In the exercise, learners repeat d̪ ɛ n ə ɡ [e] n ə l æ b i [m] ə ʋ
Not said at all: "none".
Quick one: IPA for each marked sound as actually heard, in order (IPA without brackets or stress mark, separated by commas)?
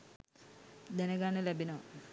a, n